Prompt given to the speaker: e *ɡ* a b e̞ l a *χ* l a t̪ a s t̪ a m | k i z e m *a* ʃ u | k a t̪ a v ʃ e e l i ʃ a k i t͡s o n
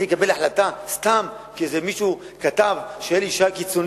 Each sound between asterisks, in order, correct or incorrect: incorrect: k, incorrect: ħ, incorrect: i

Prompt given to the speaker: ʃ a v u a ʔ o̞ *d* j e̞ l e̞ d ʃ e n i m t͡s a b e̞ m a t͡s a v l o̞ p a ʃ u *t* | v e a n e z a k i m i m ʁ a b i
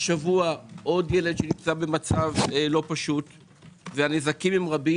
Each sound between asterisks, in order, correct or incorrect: correct, correct

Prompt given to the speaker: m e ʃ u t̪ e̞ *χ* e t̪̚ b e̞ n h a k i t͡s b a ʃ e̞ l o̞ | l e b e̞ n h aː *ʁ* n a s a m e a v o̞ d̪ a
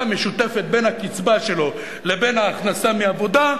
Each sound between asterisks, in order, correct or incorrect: incorrect: f, incorrect: χ

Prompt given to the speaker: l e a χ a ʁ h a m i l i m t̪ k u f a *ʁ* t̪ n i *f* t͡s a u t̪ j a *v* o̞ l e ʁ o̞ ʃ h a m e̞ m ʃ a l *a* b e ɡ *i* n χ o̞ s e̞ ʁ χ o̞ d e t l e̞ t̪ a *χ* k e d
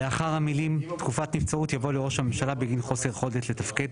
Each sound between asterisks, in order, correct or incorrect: incorrect: none, correct, correct, correct, correct, incorrect: f

